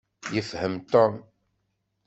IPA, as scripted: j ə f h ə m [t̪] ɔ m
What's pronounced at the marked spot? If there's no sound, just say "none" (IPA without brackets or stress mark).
t̪